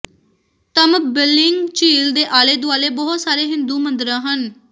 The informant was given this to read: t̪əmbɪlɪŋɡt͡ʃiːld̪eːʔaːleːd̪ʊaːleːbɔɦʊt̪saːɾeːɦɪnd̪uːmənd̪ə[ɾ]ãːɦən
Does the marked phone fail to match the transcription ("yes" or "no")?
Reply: no